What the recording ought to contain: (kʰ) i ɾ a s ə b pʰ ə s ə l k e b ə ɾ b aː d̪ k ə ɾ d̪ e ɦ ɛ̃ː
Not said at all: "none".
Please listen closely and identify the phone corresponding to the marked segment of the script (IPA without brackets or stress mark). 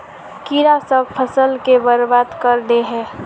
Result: k